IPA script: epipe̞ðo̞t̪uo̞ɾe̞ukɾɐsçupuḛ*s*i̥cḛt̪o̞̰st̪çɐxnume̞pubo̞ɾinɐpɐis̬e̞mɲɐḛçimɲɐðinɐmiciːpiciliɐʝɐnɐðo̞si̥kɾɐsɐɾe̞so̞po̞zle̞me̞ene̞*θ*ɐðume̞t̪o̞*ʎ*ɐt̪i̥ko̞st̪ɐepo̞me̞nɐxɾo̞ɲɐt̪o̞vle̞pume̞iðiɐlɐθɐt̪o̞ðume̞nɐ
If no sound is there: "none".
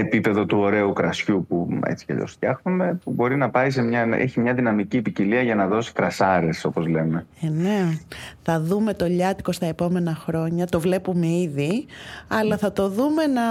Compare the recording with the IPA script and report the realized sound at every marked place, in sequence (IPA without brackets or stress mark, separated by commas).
t͡s, θ, ʎ